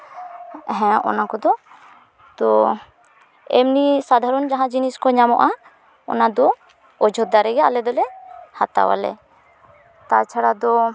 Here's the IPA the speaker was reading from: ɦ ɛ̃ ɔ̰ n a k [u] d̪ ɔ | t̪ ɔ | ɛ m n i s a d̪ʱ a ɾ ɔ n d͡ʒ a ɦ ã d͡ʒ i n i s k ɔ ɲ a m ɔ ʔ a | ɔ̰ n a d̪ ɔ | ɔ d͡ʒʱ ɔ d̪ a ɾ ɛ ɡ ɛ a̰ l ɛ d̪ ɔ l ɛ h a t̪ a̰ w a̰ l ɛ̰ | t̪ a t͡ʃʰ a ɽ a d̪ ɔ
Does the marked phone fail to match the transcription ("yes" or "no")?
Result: yes